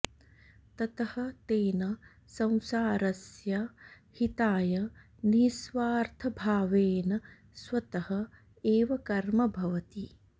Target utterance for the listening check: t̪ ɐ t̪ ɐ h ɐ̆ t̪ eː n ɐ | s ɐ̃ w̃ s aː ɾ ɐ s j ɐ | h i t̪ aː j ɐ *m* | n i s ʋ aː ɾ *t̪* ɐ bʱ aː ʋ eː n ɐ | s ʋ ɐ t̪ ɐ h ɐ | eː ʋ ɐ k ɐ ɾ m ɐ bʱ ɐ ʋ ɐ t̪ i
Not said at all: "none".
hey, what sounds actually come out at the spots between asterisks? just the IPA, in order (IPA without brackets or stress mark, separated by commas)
none, t̪ʰ